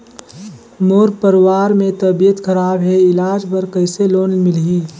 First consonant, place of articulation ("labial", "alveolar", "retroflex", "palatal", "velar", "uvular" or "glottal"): labial